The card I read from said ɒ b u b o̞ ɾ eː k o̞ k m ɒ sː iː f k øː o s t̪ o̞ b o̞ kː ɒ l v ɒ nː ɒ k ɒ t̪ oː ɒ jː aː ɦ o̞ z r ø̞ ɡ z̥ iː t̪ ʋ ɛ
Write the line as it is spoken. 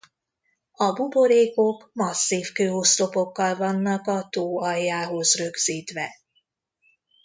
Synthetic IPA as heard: ɒ b u b o̞ ɾ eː k o̞ k m ɒ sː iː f k øː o s t̪ o̞ p o̞ kː ɒ l v ɒ nː ɒ k ɒ t̪ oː ɒ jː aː ɦ o̞ z r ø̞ ɡ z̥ iː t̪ ʋ ɛ